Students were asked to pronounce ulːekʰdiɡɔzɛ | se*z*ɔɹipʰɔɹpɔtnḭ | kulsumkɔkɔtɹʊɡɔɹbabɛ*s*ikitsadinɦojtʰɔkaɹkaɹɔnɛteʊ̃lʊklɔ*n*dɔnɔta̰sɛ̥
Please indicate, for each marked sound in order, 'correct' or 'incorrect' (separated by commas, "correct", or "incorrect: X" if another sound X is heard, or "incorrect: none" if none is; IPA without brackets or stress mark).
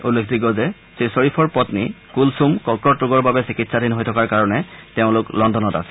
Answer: incorrect: s, correct, correct